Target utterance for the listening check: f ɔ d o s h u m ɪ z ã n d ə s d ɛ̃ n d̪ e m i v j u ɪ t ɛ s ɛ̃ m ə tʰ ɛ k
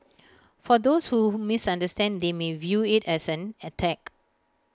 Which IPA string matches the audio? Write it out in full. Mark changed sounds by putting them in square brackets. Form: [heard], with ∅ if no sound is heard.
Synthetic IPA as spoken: f ɔ d o s h u m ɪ [s] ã n d ə s [t] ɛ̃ n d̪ e m [e] v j u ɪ t ɛ s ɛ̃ [n] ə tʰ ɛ k